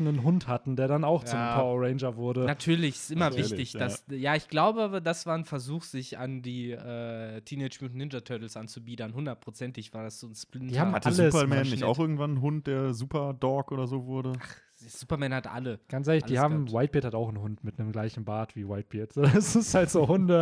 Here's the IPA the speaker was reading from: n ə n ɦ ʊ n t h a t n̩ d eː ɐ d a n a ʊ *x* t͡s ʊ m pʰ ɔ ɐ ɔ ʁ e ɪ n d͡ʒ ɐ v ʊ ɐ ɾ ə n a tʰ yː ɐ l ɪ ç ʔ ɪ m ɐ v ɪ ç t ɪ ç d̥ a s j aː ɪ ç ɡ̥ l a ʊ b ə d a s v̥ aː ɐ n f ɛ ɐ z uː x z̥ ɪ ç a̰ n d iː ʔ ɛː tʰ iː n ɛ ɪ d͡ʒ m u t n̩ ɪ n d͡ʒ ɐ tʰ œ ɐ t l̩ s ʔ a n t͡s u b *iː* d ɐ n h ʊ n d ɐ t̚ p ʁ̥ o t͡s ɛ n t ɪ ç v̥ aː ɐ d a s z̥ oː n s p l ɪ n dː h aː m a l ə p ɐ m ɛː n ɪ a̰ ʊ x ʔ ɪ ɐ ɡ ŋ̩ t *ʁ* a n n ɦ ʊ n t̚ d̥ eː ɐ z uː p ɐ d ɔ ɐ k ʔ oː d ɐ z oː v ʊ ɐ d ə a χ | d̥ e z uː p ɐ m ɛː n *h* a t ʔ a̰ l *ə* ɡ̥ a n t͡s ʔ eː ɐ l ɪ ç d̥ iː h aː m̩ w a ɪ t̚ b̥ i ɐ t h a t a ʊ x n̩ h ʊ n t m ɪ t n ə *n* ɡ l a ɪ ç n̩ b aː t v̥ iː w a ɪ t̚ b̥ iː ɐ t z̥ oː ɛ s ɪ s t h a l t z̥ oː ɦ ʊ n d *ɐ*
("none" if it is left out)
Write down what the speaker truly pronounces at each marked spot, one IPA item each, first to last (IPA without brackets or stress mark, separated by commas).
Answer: x, iː, v, h, ə, m, ə